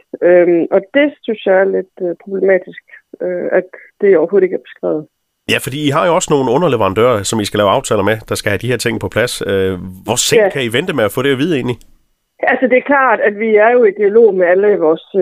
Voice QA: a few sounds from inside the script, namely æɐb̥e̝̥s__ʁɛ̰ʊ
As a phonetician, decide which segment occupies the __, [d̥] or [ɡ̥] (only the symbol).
ɡ̥